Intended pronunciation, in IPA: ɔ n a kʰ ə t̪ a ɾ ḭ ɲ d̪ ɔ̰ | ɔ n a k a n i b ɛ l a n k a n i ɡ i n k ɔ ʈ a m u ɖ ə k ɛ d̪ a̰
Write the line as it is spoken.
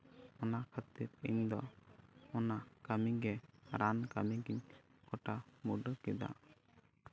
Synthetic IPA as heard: ɔ n a kʰ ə t̪ i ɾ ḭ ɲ d̪ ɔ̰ | ɔ n a k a m i ɡ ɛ ɾ a n k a m i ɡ i ɲ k ɔ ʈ a m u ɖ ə k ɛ d̪ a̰